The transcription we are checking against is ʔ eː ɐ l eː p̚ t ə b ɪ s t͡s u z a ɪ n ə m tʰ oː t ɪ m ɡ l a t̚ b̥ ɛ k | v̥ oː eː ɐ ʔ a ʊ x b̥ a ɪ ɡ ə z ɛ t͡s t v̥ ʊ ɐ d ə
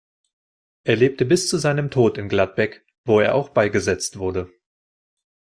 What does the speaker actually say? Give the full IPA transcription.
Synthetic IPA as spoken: ʔ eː ɐ l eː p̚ t ə b ɪ s t͡s u z a ɪ n ə m tʰ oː t ɪ n ɡ l a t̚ b̥ ɛ k | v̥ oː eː ɐ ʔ a ʊ x b̥ a ɪ ɡ ə z ɛ t͡s t v̥ ʊ ɐ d ə